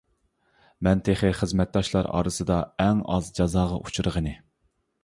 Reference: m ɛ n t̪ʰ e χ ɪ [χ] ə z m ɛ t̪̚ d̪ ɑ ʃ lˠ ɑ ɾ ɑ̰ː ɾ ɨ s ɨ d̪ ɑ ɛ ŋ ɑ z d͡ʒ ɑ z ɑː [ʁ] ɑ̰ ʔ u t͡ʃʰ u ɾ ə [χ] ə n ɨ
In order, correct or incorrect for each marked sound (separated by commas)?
correct, correct, incorrect